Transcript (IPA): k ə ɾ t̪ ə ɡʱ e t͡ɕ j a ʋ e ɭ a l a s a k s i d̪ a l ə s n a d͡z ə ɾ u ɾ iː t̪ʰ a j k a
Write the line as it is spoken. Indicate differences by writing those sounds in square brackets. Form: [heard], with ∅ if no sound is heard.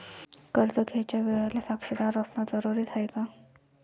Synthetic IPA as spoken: k ə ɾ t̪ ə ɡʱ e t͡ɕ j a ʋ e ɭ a l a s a k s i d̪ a [ɾ] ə s n a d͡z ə ɾ u ɾ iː t̪ʰ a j k a